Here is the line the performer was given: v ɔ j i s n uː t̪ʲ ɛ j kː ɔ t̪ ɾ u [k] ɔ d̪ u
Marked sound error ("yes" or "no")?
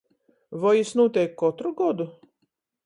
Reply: yes